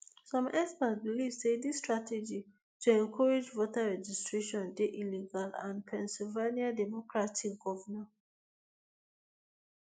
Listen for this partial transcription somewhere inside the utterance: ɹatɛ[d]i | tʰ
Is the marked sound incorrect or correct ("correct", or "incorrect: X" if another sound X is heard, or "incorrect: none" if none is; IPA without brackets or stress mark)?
incorrect: d͡ʒ